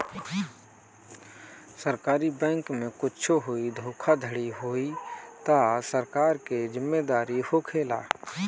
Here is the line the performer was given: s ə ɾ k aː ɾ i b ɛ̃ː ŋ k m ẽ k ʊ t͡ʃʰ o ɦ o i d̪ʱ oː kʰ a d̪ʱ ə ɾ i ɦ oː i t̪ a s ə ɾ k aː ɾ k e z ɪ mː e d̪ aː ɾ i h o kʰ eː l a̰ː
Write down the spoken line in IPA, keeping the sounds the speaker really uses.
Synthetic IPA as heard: s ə ɾ k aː ɾ i b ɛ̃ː ŋ k m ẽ k ʊ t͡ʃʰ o ɦ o i d̪ʱ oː kʰ a d̪ʱ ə ɽ i ɦ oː i t̪ a s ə ɾ k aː ɾ k e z ɪ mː e d̪ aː ɾ i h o kʰ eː l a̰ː